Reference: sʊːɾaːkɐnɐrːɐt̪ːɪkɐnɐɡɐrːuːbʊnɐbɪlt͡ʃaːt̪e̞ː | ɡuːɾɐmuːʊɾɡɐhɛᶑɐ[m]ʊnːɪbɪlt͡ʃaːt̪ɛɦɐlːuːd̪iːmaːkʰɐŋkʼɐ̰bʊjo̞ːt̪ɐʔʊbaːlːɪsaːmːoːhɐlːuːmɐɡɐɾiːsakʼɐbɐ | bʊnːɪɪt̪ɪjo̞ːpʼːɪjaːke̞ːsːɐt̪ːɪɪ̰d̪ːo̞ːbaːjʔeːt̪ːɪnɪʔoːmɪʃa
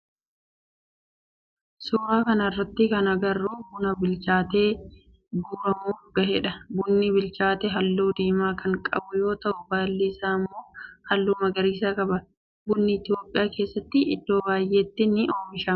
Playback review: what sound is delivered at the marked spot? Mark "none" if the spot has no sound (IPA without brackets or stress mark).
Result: b